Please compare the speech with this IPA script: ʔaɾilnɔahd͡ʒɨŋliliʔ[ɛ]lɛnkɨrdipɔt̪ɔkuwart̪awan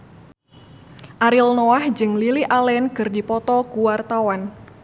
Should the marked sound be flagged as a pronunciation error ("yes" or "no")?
yes